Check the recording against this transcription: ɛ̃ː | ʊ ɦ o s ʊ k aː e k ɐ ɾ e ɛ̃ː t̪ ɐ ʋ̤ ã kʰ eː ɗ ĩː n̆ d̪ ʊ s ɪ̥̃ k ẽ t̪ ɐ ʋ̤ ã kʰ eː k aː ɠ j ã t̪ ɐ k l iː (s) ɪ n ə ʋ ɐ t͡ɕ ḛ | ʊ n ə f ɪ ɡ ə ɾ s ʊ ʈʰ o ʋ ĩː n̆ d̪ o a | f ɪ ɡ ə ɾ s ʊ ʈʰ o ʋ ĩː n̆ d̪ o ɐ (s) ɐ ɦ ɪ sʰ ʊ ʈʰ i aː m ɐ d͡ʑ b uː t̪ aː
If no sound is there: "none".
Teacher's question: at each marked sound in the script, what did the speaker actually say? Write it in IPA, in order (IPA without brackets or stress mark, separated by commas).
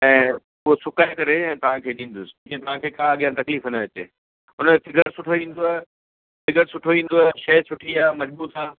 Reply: f, ʃ